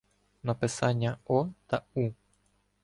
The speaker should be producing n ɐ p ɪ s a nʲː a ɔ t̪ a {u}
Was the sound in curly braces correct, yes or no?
yes